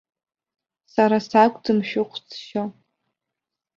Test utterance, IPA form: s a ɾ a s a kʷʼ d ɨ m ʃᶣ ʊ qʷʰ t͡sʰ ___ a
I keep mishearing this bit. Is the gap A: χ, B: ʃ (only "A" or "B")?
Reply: B